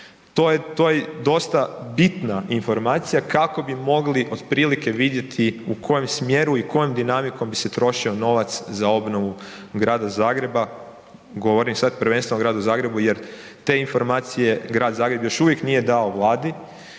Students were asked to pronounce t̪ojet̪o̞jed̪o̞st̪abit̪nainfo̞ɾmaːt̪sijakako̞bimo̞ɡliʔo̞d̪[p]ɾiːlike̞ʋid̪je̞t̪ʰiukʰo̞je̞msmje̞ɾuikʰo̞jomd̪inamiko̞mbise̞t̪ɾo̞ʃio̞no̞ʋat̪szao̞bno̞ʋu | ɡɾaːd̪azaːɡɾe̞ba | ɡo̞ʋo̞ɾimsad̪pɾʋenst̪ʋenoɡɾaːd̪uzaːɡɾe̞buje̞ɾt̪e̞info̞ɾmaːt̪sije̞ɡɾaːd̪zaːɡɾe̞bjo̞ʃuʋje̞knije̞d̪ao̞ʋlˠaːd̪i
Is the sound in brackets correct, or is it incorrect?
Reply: correct